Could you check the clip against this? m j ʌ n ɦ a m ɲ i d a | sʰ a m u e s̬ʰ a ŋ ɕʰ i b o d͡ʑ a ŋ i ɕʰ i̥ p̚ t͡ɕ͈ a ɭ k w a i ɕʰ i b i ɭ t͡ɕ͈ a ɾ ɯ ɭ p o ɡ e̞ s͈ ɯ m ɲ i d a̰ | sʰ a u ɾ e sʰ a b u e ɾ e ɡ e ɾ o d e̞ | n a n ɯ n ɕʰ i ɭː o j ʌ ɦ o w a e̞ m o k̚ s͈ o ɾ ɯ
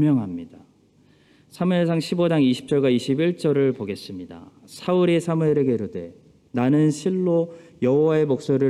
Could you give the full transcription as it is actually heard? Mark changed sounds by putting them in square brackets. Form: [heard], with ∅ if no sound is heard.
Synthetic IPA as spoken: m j ʌ [ŋ] ɦ a m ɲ i d a | sʰ a m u e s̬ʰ a ŋ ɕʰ i b o d͡ʑ a ŋ i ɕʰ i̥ p̚ t͡ɕ͈ [ʌ] ɭ [ɡ] w a i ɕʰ i b i ɭ t͡ɕ͈ [ʌ] ɾ ɯ ɭ p o ɡ e̞ s͈ ɯ m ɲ i d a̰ | sʰ a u ɾ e sʰ a [m] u e ɾ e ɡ e ɾ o d e̞ | n a n ɯ n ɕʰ i ɭː o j ʌ ɦ o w a e̞ m o k̚ s͈ o ɾ ɯ